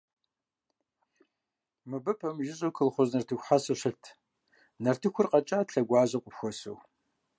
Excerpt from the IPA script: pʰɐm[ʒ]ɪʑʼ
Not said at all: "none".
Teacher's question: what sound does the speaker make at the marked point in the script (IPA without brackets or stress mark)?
ʒ